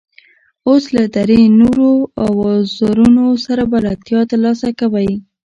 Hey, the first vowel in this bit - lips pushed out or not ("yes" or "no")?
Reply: yes